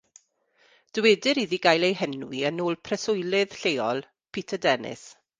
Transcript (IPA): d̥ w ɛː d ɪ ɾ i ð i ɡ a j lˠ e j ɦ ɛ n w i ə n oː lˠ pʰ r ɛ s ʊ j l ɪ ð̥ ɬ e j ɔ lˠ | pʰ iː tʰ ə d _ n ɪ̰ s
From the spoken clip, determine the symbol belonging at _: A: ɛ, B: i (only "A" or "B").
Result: A